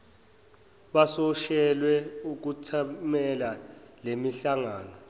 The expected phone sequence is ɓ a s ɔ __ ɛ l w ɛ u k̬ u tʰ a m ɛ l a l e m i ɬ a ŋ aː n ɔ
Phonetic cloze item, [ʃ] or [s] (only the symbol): ʃ